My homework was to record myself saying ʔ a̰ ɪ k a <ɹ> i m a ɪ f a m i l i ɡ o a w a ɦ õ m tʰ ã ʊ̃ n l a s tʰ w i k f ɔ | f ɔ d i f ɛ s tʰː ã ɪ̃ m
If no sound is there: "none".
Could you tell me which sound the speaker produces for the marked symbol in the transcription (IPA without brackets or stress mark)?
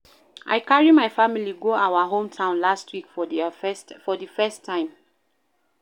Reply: ɹ